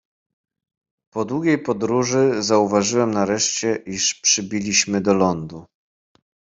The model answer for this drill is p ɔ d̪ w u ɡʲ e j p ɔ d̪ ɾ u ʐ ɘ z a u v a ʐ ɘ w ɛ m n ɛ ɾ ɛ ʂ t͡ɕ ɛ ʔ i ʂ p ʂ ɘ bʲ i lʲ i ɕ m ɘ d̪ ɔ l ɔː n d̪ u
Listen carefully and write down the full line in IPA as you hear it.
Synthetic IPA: p ɔ d̪ w u ɡʲ e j p ɔ d̪ ɾ u ʐ ɘ z a u v a ʐ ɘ w ɛ m n a ɾ ɛ ʂ t͡ɕ ɛ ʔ i ʂ p ʂ ɘ bʲ i lʲ i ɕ m ɘ d̪ ɔ l ɔ n d̪ u